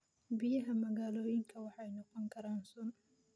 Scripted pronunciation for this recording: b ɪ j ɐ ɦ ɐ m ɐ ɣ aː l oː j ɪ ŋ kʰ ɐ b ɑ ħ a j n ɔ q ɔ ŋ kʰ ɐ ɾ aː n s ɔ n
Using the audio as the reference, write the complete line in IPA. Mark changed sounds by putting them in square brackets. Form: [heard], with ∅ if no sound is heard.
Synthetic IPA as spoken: b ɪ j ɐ ɦ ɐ m ɐ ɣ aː l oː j ɪ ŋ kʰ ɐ [w] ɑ ħ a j n ɔ q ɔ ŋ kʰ ɐ ɾ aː n s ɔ n